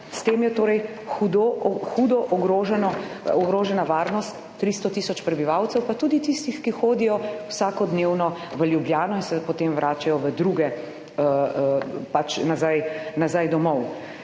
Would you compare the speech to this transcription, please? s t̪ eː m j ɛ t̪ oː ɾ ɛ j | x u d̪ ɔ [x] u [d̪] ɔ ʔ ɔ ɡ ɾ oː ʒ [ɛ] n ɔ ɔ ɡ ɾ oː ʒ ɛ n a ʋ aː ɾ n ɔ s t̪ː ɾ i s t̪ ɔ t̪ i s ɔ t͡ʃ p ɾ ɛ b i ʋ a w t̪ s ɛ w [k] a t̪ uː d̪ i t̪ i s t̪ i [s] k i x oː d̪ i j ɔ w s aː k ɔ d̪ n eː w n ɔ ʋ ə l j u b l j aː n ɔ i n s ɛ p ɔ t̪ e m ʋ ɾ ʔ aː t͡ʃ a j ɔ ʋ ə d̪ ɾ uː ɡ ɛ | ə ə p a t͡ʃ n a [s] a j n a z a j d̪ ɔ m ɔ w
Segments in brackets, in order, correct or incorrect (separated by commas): correct, correct, correct, incorrect, incorrect, incorrect